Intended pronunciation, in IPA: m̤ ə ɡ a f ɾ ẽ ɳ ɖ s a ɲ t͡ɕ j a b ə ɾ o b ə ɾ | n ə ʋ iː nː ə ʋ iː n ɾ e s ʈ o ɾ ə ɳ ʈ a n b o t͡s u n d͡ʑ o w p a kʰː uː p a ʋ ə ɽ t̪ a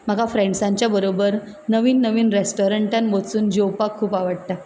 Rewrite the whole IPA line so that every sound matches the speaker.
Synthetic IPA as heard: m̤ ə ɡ a f ɾ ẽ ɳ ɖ s a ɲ t͡ɕ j a b ə ɾ o b ə ɾ | n ə ʋ iː nː ə ʋ iː n ɾ e s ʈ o ɾ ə ɳ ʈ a n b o t͡s uː n d͡ʑ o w p a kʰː uː p a ʋ ə ɽ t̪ a